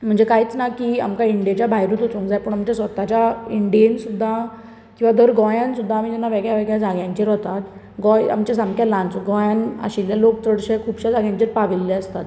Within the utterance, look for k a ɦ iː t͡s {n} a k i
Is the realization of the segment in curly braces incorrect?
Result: no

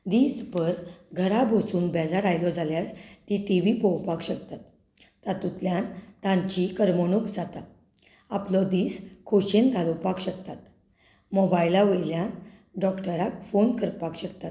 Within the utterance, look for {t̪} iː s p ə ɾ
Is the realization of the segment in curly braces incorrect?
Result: yes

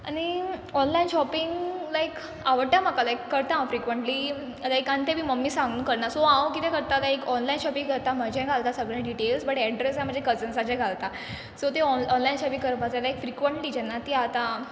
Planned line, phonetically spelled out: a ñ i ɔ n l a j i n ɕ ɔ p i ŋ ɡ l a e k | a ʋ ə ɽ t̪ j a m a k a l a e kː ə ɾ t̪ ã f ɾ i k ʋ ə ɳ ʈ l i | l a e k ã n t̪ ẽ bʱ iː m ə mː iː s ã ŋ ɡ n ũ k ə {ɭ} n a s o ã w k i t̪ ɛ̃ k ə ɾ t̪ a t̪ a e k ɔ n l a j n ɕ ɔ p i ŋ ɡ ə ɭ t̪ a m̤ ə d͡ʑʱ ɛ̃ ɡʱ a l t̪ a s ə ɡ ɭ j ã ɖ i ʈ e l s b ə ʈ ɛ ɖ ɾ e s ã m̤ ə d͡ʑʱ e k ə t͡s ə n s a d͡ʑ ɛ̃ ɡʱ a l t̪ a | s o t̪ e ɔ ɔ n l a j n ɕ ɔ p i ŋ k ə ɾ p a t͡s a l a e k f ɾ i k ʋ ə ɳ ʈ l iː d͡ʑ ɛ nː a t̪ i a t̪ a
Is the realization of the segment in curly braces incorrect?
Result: yes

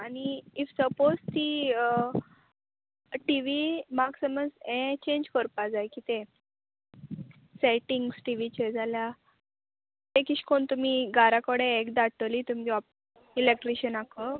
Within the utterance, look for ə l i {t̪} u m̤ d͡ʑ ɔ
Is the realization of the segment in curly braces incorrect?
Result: no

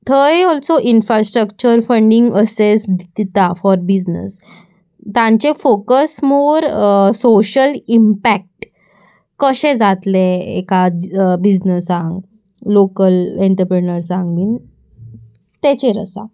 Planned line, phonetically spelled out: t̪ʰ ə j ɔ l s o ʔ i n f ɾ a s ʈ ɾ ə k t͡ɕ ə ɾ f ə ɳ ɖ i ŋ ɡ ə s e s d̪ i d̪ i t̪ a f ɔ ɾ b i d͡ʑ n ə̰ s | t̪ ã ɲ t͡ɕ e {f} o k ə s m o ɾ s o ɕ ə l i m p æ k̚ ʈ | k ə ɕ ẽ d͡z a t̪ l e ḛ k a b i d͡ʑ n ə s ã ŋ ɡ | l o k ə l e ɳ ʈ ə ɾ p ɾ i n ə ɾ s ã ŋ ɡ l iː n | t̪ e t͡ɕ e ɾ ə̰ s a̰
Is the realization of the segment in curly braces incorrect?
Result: no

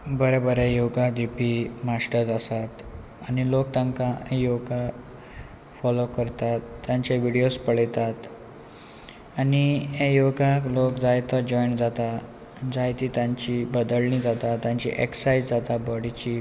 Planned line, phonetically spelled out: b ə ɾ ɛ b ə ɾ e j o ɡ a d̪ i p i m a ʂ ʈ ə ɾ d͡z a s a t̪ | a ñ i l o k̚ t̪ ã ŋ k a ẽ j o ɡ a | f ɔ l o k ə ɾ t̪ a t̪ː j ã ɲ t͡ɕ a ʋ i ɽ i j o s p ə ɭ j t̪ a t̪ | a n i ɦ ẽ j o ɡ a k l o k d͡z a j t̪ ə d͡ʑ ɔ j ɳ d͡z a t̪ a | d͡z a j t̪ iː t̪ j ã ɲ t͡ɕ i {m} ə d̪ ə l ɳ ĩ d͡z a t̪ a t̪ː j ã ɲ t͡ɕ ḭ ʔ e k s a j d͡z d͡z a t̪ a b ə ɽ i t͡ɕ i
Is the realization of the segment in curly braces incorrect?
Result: yes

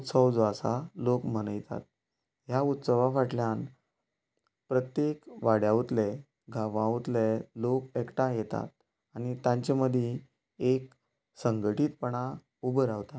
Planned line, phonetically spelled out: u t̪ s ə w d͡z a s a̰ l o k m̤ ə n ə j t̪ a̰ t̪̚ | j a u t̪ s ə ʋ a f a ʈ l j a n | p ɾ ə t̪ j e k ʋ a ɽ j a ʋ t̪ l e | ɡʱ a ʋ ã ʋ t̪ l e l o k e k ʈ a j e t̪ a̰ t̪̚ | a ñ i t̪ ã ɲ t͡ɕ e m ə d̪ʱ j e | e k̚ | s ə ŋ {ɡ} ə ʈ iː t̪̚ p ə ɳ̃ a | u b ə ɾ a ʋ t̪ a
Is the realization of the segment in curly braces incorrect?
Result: no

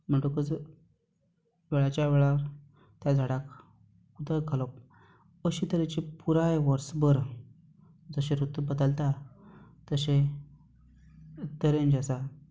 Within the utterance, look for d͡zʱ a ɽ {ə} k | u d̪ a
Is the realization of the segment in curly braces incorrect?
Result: yes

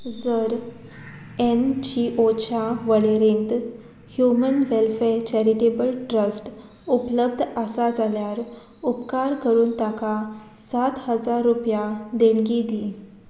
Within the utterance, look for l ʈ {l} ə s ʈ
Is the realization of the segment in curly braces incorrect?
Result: yes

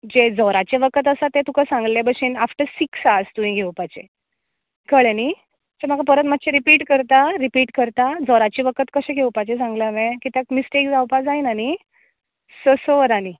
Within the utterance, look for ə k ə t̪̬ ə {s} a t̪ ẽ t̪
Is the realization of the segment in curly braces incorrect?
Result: no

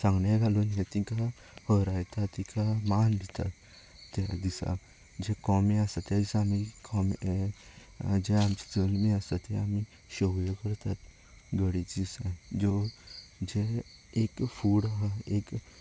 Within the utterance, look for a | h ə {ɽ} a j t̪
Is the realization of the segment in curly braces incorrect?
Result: yes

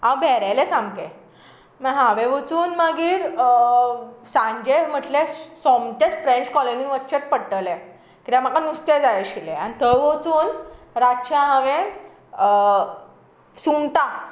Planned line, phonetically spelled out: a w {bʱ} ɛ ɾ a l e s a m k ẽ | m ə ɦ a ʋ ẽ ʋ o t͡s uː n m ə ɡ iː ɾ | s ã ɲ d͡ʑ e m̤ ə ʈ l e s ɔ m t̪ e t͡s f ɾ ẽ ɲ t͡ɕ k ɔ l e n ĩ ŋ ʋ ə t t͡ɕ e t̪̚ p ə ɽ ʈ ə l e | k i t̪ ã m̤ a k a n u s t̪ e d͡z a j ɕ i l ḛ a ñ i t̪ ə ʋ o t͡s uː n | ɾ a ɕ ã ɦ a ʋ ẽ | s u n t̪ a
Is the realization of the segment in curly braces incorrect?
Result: no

